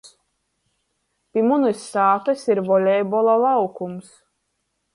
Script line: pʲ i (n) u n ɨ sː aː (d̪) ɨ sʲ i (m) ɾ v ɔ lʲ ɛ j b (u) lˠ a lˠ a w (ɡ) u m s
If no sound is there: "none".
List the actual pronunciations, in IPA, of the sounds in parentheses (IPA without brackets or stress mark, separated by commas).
m, t̪, none, ɔ, k